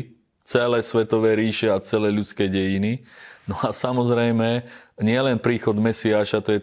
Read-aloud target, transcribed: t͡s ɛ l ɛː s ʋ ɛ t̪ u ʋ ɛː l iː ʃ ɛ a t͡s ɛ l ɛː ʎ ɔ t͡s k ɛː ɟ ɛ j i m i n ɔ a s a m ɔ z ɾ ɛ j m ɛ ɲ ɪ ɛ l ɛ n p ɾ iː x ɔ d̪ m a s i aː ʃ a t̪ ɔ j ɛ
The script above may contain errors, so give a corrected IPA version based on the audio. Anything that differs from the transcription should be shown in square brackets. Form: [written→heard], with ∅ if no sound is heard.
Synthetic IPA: t͡s ɛ l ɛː s ʋ ɛ t̪ [u→ɔ] ʋ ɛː [l→ɾ] iː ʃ ɛ a t͡s ɛ l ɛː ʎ [ɔ→u] t͡s k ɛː ɟ ɛ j i [m→n] i n ɔ a s a m ɔ z ɾ ɛ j m ɛ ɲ ɪ ɛ l ɛ n p ɾ iː x ɔ d̪ m [a→ɛ] s i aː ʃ a t̪ ɔ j ɛ